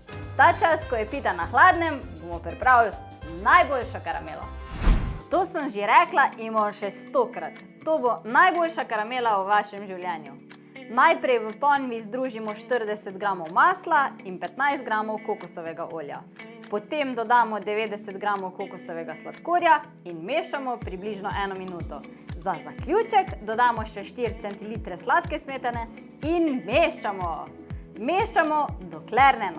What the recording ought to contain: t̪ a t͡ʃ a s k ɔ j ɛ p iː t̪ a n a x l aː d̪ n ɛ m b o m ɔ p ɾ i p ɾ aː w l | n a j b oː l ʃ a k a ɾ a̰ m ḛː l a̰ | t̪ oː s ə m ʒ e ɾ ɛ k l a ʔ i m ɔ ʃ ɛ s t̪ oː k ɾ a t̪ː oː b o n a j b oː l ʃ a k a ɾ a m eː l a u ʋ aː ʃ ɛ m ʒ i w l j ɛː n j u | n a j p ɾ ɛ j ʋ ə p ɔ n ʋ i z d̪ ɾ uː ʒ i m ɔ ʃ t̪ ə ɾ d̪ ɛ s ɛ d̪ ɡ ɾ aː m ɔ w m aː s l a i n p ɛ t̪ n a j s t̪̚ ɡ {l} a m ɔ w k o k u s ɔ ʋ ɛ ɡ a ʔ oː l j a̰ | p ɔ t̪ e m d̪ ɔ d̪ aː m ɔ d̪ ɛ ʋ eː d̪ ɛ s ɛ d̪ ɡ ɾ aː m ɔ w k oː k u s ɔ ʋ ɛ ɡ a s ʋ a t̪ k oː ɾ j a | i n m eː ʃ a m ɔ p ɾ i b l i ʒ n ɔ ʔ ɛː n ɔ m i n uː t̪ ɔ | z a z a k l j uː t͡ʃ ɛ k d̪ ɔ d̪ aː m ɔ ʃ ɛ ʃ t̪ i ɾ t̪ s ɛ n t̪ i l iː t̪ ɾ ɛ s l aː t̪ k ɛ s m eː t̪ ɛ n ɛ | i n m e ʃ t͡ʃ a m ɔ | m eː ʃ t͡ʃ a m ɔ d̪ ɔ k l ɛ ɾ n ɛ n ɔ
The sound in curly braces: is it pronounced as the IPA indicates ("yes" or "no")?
no